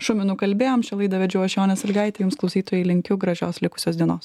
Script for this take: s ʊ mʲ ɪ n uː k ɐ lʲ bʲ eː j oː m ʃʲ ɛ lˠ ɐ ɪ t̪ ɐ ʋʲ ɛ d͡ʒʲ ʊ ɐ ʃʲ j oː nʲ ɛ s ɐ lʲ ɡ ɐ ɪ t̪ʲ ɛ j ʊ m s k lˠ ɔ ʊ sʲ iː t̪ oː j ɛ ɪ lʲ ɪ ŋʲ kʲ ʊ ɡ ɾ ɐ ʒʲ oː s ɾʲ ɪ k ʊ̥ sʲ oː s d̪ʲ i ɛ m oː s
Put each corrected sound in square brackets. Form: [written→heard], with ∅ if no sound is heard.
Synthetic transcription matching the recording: [s→ʃ] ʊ mʲ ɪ n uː k ɐ lʲ bʲ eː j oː m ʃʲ ɛ lˠ ɐ ɪ [t̪→d̪] ɐ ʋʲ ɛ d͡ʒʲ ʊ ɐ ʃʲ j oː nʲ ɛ s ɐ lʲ ɡ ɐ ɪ t̪ʲ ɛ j ʊ m s k lˠ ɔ ʊ sʲ iː t̪ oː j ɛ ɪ lʲ ɪ ŋʲ kʲ ʊ ɡ ɾ ɐ ʒʲ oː s [ɾʲ→lʲ] ɪ k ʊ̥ sʲ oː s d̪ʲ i ɛ [m→n] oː s